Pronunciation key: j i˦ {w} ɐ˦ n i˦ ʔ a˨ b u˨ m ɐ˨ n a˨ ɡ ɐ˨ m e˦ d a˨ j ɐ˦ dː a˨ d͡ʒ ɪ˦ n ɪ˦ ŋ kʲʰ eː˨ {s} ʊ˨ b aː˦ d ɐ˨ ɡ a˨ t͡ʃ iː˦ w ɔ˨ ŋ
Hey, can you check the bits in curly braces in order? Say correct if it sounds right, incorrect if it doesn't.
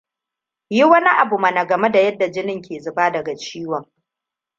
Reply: correct, incorrect: z

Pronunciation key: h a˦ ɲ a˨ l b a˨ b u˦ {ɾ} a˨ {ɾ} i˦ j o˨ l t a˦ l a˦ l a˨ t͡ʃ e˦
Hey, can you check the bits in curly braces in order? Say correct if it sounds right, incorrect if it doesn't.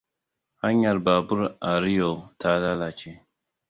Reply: correct, correct

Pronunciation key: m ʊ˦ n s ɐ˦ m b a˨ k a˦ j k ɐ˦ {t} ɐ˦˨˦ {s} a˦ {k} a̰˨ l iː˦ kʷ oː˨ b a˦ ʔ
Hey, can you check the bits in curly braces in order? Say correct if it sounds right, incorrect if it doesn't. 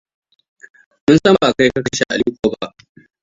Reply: incorrect: k, incorrect: ʃ, incorrect: ʔ

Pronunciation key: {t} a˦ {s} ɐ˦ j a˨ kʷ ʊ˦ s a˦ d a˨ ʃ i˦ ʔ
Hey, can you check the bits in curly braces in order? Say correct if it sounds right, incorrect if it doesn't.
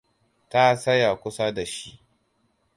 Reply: correct, correct

